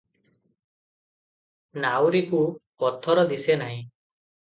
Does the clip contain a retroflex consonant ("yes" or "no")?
no